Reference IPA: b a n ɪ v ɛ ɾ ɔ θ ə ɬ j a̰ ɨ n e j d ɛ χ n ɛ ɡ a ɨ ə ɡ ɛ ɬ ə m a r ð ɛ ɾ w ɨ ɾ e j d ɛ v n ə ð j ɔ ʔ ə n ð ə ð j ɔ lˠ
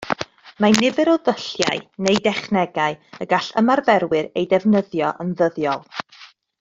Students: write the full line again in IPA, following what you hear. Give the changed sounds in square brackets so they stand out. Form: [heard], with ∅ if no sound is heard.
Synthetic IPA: [m] a n ɪ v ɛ ɾ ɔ [ð] ə ɬ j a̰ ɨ n e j d ɛ χ n ɛ ɡ a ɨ ə ɡ [a] ɬ ə m a r [v] ɛ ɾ w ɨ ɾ e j d ɛ v n ə ð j ɔ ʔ ə n ð ə ð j ɔ lˠ

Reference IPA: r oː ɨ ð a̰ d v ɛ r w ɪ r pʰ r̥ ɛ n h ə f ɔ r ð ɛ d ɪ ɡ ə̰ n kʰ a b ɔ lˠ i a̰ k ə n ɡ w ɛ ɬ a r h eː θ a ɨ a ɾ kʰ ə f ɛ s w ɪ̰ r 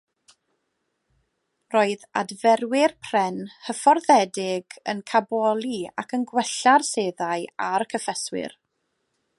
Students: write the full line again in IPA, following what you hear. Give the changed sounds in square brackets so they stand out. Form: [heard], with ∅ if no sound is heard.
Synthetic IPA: r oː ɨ ð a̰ d v ɛ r w ɪ r pʰ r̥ ɛ n h ə f ɔ r ð ɛ d ɪ ɡ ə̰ n kʰ a b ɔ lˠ i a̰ k ə n ɡ w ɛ ɬ a r [s] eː [ð] a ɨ a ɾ kʰ ə f ɛ s w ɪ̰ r

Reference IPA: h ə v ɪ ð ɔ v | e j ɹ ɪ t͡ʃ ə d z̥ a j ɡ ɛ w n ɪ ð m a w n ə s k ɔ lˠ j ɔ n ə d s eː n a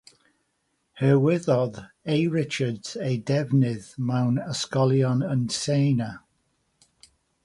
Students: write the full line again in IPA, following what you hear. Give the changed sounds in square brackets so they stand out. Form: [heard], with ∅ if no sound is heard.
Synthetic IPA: h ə [w] ɪ ð ɔ [ð] | e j ɹ ɪ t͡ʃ ə d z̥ [e] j [d] ɛ [v] n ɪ ð m a w n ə s k ɔ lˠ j ɔ n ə [n] s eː n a

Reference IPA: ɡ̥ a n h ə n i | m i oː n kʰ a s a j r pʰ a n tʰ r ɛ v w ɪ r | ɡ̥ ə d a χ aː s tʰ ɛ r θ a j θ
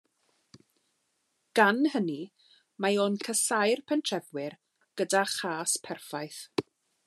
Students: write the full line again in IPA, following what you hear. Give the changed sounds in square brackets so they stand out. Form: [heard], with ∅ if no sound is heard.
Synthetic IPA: ɡ̥ a n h ə n i | m [a] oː n kʰ [ə] s a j r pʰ [ɛ] n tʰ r ɛ v w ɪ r | ɡ̥ ə d a χ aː s [pʰ] ɛ r [f] a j θ

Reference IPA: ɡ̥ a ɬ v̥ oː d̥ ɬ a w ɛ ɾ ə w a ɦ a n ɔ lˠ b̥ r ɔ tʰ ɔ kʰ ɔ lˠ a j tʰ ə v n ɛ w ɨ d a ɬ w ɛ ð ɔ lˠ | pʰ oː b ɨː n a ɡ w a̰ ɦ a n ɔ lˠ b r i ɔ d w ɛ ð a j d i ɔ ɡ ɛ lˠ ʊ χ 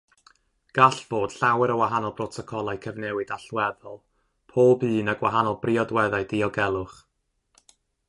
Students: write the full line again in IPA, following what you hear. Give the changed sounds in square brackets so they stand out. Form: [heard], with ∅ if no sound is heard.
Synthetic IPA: ɡ̥ a ɬ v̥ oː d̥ ɬ a w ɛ ɾ ə w a ɦ a n ɔ lˠ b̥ r ɔ tʰ ɔ kʰ ɔ lˠ a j [kʰ] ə v n ɛ w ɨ d a ɬ w ɛ ð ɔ lˠ | pʰ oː b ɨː n a ɡ w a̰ ɦ a n ɔ lˠ b r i ɔ d w ɛ ð a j d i ɔ ɡ ɛ lˠ ʊ χ

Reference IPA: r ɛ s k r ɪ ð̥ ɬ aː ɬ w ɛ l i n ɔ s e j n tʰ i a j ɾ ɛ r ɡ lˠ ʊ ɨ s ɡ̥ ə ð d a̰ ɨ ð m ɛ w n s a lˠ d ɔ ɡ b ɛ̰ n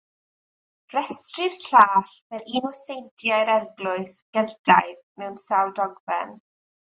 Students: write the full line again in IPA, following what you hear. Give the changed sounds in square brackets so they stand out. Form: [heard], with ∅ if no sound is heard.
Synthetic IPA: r ɛ s [t] r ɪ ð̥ ɬ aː ɬ [v] ɛ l i n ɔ s e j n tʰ [j] a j ɾ ɛ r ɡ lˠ ʊ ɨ s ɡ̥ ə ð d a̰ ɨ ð m ɛ w n s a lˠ d ɔ ɡ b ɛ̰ n

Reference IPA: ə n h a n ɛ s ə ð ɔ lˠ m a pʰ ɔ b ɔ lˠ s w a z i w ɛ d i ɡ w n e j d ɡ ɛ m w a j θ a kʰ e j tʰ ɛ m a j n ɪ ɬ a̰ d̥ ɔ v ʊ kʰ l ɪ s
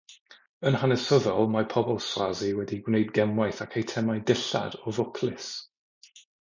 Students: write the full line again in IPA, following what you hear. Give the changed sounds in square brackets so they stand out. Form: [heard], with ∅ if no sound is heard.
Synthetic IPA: ə n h a n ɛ s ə ð ɔ lˠ m a pʰ ɔ b ɔ lˠ s w a z i w ɛ d i ɡ w n e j d ɡ ɛ m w a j θ a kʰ e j tʰ ɛ m a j [d] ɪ ɬ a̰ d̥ ɔ v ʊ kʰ l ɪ s

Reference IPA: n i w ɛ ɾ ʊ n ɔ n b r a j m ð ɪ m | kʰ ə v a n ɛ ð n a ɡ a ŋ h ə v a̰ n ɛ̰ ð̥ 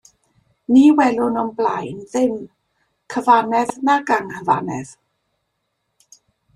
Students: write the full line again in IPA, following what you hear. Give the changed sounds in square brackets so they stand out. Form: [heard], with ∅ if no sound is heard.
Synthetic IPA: n i w ɛ [l] ʊ n ɔ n b [l] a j [n] ð ɪ m | kʰ ə v a n ɛ ð n a ɡ a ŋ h ə v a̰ n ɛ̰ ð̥

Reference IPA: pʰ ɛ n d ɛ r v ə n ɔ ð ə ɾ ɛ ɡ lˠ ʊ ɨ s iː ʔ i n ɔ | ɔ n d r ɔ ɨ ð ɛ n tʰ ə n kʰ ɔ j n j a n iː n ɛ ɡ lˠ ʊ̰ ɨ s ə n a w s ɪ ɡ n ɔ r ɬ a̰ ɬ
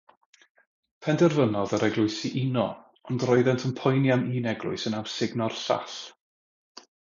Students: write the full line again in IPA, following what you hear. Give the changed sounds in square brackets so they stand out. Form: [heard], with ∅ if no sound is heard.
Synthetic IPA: pʰ ɛ n d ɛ r v ə n ɔ ð ə ɾ ɛ ɡ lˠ ʊ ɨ s [i] ʔ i n ɔ | ɔ n d r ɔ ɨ ð ɛ n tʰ ə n [pʰ] ɔ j n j a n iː n ɛ ɡ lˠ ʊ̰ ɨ s ə n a w s ɪ ɡ n ɔ r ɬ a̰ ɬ

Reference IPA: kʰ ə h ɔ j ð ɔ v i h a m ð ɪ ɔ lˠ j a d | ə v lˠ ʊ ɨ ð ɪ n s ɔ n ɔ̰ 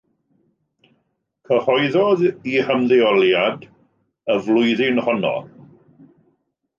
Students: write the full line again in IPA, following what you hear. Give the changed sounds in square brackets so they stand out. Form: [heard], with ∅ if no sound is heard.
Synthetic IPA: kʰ ə h ɔ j ð ɔ [ð] i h [ə] m ð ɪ ɔ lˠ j a d | ə v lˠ ʊ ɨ ð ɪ n [h] ɔ n ɔ̰

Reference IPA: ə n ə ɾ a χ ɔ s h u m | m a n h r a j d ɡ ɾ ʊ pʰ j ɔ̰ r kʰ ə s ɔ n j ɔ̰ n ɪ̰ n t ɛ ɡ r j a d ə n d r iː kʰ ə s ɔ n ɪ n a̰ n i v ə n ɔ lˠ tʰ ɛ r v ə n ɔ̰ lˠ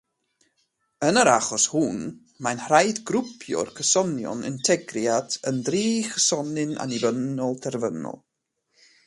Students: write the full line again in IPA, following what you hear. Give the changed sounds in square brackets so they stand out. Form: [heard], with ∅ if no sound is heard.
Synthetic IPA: ə n ə ɾ a χ ɔ s h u [n] | m a n h r a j d ɡ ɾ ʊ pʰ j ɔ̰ r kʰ ə s ɔ n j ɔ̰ n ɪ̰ n [tʰ] ɛ ɡ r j a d ə n d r iː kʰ ə s ɔ n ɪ n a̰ n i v ə n ɔ lˠ tʰ ɛ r v ə n ɔ̰ lˠ

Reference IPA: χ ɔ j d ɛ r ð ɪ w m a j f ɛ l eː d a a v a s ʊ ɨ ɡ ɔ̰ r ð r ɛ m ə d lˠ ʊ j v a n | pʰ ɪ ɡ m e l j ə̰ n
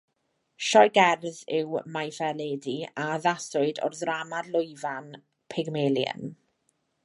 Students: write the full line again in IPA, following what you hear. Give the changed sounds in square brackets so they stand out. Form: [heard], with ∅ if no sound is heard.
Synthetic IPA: [ʃ] ɔ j [ɡ] ɛ r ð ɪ w m a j f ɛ l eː d [i] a [ð] a s ʊ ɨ [d] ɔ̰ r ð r [a] m [a] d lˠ ʊ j v a n | pʰ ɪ ɡ m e l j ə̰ n

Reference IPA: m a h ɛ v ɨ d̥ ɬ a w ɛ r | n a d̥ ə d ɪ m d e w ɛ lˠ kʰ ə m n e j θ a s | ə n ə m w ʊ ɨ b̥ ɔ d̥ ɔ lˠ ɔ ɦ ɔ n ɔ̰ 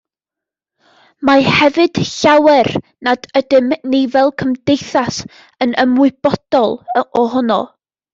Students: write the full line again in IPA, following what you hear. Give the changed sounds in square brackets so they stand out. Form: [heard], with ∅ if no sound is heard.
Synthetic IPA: m a h ɛ v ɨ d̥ ɬ a w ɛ r | n a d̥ ə d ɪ m [n] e [v] ɛ lˠ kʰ ə m [d] e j θ a s | ə n ə m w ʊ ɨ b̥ ɔ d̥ ɔ lˠ ɔ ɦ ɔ n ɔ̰

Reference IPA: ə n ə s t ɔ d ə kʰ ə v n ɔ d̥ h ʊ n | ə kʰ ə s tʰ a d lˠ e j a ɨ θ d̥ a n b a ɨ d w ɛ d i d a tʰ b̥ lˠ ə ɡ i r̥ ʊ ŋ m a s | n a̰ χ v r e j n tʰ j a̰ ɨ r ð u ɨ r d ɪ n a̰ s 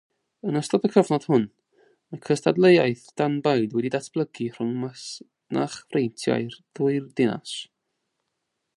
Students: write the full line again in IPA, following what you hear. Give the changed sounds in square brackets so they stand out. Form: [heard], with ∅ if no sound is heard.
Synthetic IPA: ə n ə s t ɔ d ə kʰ ə v n ɔ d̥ h ʊ n | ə kʰ ə s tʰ a d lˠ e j a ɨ θ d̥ a n b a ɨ d w ɛ d i d a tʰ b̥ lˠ ə ɡ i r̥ ʊ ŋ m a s | n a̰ χ v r e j n tʰ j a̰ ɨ r ð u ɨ r d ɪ n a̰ s

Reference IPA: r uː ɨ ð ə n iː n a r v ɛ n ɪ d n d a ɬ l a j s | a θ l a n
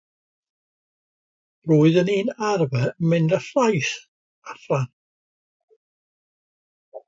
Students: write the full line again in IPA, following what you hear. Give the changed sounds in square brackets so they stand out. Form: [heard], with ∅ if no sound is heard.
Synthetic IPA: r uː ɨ ð ə n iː n a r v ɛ [m] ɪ [∅] n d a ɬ l a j s | a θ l a n

